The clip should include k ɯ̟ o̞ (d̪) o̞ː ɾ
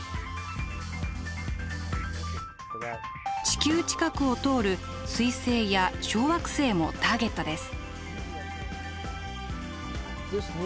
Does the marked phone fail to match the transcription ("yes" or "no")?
yes